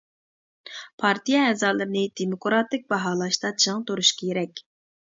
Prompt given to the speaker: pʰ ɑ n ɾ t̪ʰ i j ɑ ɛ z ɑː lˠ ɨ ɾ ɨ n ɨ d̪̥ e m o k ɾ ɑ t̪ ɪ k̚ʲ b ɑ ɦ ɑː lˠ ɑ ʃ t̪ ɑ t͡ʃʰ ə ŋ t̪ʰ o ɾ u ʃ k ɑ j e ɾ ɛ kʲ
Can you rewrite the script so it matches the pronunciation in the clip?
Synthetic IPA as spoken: pʰ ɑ ɾ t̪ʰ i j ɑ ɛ z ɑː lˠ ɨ ɾ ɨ n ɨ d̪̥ e m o k ɾ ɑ t̪ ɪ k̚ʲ b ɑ ɦ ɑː lˠ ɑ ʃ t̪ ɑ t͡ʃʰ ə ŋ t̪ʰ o ɾ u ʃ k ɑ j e ɾ ɛ kʲ